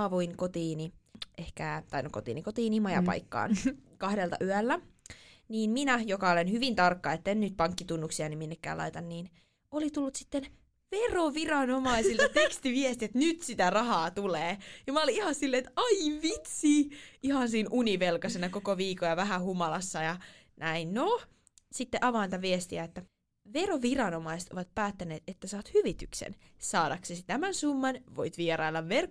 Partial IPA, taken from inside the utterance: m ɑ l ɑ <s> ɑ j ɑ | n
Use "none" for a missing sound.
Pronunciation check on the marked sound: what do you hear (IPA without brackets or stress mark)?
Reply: sː